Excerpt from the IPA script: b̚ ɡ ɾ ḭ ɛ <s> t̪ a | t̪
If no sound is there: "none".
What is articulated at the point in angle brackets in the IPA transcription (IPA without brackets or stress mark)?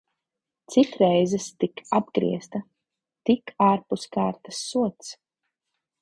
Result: s